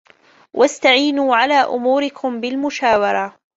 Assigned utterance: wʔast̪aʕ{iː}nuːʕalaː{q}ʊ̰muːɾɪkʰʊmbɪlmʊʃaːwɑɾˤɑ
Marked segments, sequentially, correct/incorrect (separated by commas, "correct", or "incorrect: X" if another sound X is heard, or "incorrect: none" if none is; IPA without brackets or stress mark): correct, incorrect: ʔ